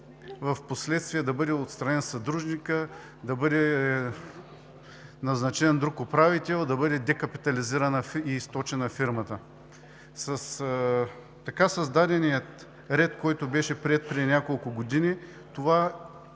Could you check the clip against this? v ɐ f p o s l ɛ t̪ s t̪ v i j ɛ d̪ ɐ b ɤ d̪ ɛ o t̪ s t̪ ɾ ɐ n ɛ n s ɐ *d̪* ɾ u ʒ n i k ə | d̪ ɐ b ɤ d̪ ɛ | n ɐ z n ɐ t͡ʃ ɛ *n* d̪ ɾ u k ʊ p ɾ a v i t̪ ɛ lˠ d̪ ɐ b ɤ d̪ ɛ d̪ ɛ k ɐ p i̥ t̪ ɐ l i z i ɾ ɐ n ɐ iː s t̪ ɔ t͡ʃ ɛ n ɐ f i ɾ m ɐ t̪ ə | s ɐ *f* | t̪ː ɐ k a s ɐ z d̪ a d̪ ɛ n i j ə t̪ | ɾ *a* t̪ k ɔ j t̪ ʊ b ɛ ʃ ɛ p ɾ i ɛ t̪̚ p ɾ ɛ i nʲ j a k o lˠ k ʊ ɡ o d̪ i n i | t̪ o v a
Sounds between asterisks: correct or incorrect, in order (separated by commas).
correct, correct, incorrect, incorrect